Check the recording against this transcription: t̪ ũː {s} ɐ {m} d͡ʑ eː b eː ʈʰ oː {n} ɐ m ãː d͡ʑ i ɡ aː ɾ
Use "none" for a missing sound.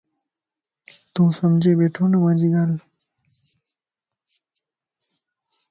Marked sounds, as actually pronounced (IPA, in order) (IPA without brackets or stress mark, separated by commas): s, m, n